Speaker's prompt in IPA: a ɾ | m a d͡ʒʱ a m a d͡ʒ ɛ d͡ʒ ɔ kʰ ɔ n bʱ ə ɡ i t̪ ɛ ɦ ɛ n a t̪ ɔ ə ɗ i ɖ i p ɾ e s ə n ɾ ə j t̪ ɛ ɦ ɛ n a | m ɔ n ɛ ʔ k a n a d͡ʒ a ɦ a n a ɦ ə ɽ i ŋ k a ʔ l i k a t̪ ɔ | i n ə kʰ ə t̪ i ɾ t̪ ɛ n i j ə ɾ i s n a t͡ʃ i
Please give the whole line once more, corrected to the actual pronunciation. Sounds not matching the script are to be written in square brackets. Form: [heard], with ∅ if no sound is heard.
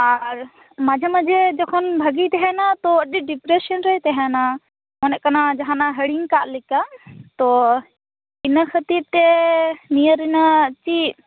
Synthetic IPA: a ɾ | m a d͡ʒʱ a m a d͡ʒ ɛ d͡ʒ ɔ kʰ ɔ n bʱ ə ɡ i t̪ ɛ ɦ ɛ n a t̪ ɔ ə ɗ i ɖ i p ɾ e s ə n ɾ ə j t̪ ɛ ɦ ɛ n a | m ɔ n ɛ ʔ k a n a d͡ʒ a ɦ a n a ɦ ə ɽ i ŋ k a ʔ l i k a t̪ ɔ | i n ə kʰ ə t̪ i ɾ t̪ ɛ n i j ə ɾ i [∅] n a t͡ʃ i